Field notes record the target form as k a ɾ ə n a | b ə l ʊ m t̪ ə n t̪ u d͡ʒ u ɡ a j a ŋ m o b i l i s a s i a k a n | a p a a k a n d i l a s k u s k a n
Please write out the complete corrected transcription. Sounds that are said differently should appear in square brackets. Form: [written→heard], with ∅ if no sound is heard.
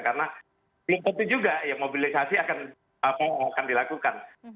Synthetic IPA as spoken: k a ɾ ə n a | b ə l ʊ m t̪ ə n t̪ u d͡ʒ u ɡ a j a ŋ m o b i l i s a s i a k a n | a p a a k a n d i l a [s→∅] k u [s→∅] k a n